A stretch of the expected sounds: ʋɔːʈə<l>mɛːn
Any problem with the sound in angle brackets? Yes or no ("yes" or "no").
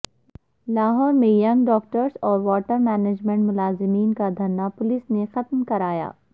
yes